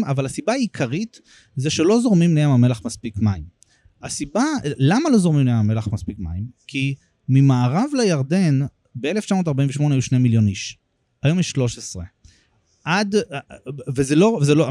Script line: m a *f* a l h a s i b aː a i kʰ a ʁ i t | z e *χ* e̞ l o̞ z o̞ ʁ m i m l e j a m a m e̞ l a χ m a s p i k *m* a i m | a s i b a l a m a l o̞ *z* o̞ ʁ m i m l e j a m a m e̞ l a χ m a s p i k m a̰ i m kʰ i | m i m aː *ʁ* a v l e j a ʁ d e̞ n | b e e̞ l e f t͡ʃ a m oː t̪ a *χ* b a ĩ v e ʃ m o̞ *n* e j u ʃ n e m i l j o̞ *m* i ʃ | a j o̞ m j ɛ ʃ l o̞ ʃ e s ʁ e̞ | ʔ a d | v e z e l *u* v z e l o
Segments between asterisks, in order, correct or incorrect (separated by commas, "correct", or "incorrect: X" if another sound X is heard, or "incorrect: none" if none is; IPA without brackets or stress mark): incorrect: v, incorrect: ʃ, correct, correct, correct, incorrect: ʁ, correct, incorrect: n, incorrect: o